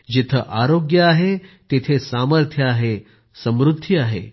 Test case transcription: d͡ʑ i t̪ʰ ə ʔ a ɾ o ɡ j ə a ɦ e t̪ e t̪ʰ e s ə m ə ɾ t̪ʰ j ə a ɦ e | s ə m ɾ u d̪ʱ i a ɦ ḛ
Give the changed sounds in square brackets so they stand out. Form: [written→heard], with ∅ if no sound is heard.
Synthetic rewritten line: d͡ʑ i t̪ʰ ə ʔ a ɾ o ɡ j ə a ɦ e t̪ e t̪ʰ e s [ə→a] m ə ɾ t̪ʰ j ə a ɦ e | s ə m ɾ u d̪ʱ i a ɦ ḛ